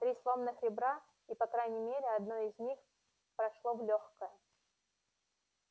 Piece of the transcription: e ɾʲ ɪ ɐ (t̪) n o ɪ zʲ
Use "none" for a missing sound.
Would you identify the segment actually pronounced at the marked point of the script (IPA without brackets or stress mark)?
d̪